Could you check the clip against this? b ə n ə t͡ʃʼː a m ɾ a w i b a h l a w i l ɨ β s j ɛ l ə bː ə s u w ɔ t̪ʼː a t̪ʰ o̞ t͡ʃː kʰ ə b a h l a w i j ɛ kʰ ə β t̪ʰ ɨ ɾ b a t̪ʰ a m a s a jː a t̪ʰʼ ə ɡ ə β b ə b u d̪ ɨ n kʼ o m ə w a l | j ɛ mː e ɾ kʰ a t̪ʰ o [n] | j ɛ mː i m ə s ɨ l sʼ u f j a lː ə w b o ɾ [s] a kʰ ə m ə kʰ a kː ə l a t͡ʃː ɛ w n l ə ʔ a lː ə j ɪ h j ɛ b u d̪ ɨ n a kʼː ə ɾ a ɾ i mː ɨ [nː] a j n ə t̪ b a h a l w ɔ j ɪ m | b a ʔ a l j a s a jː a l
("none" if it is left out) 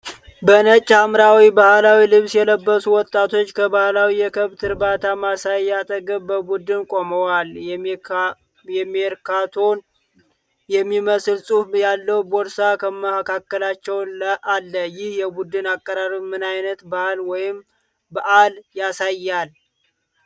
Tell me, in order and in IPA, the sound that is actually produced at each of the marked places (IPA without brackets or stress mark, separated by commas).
n, s, n